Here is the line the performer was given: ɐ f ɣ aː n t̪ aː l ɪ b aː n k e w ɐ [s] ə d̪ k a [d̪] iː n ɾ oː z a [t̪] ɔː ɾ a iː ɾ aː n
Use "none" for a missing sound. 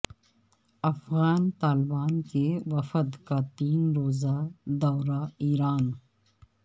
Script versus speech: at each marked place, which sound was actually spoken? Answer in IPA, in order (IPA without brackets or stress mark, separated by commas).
f, t̪, d̪